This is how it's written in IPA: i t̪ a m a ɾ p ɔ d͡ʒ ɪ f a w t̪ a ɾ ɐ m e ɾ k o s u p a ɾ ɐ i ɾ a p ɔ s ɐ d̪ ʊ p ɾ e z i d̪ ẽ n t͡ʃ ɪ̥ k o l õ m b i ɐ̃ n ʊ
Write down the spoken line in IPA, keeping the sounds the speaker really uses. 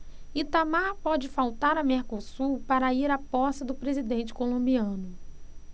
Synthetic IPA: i t̪ a m a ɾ p ɔ d͡ʒ ɪ f a w t̪ a ɾ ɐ m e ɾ k o s u p a ɾ ɐ i ɾ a p ɔ s ɐ d̪ ʊ p ɾ e z i d̪ ẽ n t͡ʃ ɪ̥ k o l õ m b i ɐ̃ n ʊ